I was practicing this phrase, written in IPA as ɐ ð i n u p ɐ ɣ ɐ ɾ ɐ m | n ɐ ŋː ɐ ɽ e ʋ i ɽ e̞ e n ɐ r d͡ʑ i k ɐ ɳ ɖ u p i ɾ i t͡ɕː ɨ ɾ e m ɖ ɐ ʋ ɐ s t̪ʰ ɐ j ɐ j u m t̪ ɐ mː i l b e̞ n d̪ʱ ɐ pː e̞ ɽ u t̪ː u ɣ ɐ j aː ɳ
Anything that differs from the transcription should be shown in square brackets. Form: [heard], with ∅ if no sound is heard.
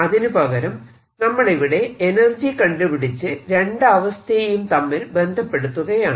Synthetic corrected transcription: ɐ ð i n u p ɐ ɣ ɐ ɾ ɐ m | n ɐ [mː] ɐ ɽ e ʋ i ɽ e̞ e n ɐ r d͡ʑ i k ɐ ɳ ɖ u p i [ɽ] i t͡ɕː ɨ ɾ e [ɳ] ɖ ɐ ʋ ɐ s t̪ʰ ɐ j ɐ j u m t̪ ɐ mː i l b e̞ n d̪ʱ ɐ pː e̞ ɽ u t̪ː u ɣ ɐ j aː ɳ